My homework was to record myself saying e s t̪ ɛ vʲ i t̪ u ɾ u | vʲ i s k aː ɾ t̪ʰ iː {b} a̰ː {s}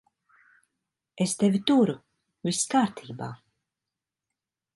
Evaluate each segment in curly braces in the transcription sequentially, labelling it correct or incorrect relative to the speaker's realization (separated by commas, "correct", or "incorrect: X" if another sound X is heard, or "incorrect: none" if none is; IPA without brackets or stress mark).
correct, incorrect: none